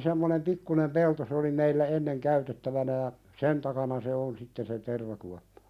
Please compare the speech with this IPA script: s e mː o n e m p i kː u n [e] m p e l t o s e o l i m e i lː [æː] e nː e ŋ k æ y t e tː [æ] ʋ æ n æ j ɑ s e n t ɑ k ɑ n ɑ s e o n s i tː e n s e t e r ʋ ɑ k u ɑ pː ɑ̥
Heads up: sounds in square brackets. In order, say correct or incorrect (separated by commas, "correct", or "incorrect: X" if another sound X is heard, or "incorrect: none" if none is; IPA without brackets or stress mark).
correct, incorrect: æ, correct